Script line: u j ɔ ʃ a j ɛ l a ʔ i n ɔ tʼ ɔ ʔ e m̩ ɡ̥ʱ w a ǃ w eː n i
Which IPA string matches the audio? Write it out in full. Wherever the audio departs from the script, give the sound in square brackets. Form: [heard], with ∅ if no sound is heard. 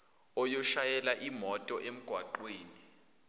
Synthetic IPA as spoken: [ɔ] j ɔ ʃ a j ɛ l a ʔ i [m] ɔ tʼ ɔ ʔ e m̩ ɡ̥ʱ w a ǃ w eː n i